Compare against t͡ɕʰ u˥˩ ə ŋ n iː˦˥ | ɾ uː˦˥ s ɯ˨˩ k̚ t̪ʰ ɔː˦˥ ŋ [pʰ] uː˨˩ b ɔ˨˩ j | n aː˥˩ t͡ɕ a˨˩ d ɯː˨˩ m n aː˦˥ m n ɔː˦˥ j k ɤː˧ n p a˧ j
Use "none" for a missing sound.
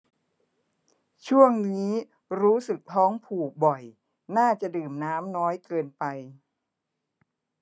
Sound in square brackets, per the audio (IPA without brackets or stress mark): pʰ